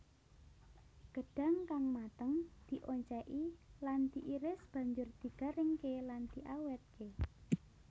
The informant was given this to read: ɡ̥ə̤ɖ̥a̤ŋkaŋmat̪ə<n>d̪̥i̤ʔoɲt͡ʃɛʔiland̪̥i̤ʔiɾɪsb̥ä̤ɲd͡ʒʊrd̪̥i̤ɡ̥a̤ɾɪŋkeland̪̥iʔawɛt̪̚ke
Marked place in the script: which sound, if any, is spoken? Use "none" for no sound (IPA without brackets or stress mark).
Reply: ŋ